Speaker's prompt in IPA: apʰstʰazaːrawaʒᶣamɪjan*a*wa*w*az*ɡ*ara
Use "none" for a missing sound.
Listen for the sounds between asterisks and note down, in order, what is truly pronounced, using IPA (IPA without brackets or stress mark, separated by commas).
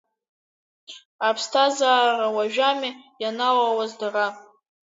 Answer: a, w, d